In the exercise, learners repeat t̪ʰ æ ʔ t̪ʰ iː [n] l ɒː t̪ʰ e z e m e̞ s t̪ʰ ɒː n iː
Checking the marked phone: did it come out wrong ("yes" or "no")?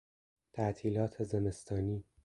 yes